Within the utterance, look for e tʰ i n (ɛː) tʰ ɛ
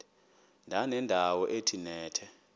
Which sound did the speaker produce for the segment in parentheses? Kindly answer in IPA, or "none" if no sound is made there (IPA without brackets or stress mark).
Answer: ɛː